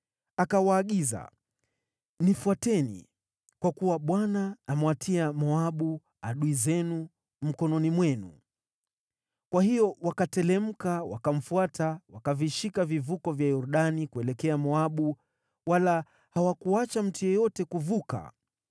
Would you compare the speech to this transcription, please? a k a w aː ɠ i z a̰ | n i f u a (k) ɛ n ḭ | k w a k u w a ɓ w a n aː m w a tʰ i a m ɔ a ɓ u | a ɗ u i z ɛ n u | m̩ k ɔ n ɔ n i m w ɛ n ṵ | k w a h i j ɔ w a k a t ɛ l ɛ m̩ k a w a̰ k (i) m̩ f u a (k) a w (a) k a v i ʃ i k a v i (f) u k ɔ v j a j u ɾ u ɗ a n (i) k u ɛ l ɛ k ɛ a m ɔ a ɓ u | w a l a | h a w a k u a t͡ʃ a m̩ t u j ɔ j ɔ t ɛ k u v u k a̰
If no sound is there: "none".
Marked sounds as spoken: t, a, t, a, v, i

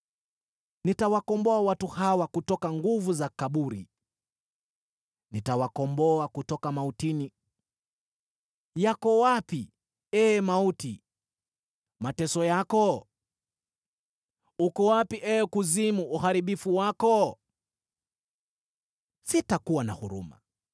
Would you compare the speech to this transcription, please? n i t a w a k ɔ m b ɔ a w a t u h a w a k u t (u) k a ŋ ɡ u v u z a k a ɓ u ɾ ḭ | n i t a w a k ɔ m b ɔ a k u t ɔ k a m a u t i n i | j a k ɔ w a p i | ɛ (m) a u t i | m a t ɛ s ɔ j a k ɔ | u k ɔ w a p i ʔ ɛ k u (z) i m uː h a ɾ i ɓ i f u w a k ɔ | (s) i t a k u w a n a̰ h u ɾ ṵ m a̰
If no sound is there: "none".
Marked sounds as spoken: ɔ, m, z, s

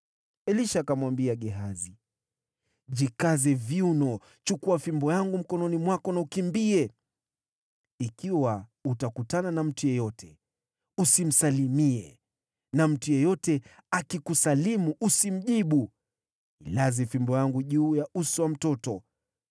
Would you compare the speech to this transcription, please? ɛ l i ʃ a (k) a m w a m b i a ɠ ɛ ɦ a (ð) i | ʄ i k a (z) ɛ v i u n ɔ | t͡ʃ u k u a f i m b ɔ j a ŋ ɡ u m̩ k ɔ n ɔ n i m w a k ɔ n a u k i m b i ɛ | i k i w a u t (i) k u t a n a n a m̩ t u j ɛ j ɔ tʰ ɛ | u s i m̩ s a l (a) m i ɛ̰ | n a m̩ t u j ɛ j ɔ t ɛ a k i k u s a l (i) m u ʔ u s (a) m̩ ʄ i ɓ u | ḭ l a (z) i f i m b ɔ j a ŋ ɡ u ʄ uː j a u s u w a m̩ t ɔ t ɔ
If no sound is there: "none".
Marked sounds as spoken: k, z, z, a, i, i, i, z

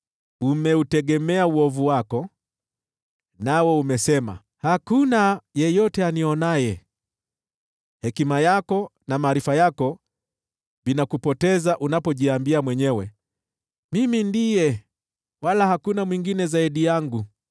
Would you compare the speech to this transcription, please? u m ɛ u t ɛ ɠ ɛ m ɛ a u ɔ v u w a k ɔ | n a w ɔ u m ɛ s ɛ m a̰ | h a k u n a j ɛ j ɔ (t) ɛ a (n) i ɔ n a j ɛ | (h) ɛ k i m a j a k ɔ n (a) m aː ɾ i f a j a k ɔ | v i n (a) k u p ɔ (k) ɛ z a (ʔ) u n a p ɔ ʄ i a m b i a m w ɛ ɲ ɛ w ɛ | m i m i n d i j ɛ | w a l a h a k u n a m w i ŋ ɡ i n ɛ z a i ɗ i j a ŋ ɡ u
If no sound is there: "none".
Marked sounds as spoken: t, n, h, a, a, t, ʔ

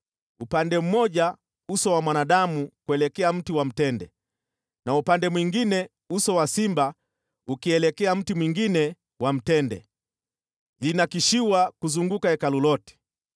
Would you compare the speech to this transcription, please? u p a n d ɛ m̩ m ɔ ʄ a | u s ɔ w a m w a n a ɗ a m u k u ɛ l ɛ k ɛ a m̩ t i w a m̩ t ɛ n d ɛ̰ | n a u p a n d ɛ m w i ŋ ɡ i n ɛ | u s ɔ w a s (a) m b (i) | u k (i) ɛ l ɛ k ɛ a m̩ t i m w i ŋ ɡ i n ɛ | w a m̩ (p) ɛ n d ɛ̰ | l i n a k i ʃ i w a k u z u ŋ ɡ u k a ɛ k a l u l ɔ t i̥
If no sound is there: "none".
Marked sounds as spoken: i, a, i, t

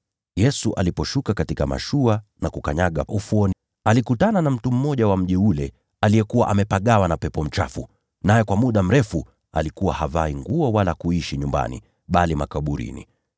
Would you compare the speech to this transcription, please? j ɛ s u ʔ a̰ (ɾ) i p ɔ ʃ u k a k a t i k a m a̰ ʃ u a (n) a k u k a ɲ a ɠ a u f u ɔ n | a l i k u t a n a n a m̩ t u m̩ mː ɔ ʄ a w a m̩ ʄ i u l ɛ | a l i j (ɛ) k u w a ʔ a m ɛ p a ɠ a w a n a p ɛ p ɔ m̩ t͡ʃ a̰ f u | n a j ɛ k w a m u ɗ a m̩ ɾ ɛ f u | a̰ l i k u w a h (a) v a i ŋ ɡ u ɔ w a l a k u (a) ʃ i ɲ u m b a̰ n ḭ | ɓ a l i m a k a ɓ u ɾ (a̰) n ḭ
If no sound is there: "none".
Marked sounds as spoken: l, n, ɛ, a, i, ḭ

